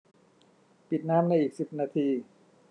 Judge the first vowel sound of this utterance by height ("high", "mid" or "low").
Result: high